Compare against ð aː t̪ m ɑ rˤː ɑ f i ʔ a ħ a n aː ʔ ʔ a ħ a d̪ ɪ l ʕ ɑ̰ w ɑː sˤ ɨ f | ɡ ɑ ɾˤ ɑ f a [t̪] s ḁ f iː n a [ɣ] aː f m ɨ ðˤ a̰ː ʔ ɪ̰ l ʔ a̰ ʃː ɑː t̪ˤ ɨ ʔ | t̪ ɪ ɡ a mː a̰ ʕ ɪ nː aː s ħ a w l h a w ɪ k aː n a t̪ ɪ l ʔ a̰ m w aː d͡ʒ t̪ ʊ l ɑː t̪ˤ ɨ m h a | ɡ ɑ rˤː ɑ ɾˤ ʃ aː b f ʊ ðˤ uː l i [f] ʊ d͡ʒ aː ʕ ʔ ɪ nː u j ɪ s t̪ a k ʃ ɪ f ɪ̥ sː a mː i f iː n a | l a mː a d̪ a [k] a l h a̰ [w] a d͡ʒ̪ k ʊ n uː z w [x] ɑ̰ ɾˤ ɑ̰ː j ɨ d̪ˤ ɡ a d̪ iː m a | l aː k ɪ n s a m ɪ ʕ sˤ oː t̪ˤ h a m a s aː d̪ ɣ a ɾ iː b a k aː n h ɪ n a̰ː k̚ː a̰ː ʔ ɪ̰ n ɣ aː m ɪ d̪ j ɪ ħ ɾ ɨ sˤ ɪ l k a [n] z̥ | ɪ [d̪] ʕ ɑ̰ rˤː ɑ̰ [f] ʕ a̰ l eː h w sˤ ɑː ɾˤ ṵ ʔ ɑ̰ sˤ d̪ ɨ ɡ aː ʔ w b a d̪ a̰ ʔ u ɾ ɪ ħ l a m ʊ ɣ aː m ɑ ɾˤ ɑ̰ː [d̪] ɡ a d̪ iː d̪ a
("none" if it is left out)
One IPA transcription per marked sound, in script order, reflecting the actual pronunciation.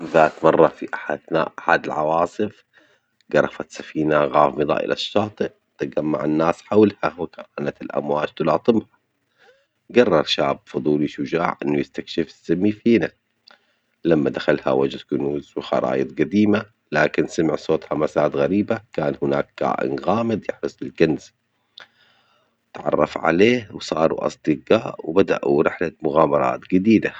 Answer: t̪, ɣ, ʃ, x, w, x, n, t̪, f, t̪

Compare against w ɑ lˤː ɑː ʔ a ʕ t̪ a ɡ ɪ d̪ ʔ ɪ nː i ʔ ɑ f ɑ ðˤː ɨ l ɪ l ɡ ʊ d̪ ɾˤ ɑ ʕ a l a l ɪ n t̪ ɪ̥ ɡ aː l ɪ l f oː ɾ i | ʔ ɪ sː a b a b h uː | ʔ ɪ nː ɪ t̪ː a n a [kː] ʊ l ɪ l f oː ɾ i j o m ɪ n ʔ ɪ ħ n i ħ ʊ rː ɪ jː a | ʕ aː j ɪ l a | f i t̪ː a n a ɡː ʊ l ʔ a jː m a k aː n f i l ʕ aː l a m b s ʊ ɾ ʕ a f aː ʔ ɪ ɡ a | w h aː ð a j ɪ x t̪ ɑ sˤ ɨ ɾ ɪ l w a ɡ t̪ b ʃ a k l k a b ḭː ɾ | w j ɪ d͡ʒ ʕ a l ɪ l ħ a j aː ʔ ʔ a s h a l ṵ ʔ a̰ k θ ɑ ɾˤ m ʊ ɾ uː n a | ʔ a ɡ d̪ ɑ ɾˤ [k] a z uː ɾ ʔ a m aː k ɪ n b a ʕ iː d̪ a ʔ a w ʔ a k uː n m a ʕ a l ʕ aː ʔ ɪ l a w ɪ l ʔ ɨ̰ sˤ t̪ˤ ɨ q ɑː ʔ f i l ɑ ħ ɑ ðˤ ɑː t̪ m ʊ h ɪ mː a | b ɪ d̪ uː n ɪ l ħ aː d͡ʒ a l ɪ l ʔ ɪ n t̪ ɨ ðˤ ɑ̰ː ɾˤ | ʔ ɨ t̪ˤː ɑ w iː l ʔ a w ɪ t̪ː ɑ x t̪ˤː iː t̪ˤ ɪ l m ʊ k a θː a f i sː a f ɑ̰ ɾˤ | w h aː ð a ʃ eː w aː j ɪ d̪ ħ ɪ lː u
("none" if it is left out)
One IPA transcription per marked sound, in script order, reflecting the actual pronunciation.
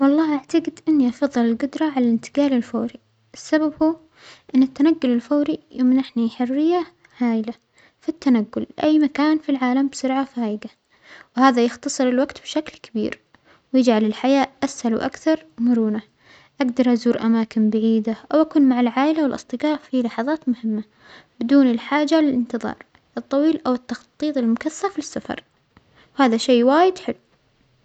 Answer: ɡː, ʔ

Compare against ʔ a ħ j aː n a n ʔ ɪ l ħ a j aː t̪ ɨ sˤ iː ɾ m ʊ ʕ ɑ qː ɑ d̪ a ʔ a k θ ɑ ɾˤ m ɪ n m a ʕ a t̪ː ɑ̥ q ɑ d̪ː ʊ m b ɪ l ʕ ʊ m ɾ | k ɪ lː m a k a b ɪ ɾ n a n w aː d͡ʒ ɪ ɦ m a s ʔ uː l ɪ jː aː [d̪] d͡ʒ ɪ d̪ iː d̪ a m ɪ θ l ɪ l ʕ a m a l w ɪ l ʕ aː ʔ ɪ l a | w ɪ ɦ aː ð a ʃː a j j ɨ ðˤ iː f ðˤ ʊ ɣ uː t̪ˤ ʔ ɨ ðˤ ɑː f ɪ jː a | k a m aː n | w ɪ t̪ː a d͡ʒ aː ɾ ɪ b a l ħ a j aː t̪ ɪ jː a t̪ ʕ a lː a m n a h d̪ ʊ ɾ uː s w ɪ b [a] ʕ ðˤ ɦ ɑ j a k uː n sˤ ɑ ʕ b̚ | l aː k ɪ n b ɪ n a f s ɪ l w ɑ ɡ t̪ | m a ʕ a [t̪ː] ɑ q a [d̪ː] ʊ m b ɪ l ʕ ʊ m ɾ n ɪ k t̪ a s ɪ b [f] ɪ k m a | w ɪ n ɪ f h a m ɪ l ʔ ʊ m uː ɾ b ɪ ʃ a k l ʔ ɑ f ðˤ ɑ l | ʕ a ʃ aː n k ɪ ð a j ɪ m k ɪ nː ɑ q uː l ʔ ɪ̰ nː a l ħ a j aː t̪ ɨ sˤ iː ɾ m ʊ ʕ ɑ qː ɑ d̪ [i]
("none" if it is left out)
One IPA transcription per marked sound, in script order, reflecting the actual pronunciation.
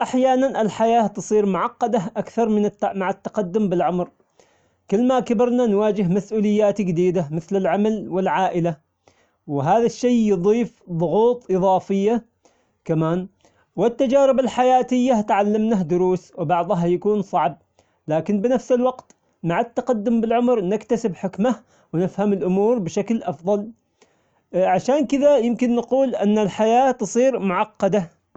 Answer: t̪, ɑ, t̪ː, d̪ː, ħ, a

